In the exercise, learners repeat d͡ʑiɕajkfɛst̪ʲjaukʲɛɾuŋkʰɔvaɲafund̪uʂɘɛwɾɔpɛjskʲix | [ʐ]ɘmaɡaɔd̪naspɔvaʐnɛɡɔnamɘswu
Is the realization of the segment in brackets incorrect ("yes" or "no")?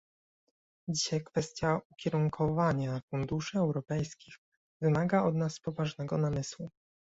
yes